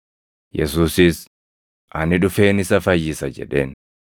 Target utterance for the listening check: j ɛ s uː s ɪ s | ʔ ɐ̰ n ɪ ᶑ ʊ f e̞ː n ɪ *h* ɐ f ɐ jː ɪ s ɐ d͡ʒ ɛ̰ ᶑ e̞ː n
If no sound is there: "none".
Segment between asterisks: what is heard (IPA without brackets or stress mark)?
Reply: s